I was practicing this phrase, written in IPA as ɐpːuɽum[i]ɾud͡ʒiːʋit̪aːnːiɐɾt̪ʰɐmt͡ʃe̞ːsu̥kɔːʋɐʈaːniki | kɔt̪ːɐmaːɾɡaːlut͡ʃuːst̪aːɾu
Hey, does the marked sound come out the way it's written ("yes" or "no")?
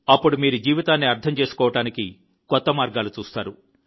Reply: no